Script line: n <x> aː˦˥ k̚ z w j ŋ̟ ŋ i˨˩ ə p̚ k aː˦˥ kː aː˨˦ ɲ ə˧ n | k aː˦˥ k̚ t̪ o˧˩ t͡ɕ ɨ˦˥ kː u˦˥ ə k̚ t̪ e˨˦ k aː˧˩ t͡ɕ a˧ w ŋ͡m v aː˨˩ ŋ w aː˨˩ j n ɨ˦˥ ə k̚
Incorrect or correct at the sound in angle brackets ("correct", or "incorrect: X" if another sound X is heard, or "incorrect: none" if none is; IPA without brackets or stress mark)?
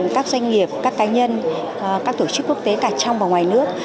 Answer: incorrect: k